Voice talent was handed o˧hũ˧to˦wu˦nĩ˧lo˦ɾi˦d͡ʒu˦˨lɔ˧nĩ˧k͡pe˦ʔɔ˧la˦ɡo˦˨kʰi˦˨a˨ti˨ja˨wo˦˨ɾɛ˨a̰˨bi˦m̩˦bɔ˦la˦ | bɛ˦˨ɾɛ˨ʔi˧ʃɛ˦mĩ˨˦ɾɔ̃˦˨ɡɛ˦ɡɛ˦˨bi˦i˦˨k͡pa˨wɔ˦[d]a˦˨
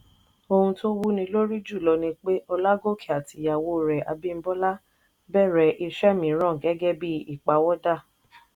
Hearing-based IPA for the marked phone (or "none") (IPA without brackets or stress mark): d